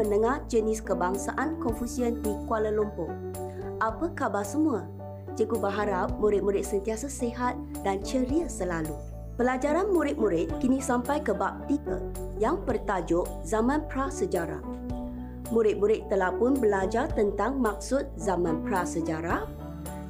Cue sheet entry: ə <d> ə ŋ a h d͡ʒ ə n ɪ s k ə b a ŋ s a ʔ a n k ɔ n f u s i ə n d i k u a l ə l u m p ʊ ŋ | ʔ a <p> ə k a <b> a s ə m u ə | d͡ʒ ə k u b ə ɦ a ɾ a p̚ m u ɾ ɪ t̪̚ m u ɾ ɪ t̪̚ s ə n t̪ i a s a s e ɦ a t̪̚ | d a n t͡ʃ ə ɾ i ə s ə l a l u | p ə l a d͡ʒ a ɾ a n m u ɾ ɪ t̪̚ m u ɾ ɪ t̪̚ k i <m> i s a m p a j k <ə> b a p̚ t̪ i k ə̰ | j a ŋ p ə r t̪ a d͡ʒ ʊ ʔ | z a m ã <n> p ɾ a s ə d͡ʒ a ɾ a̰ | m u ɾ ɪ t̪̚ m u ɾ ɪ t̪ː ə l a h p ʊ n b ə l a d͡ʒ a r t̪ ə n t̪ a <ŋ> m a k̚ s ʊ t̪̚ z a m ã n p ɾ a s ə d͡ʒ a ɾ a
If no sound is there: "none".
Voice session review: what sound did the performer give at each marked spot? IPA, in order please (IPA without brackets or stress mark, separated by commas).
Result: n, p, b, n, ə, n, ŋ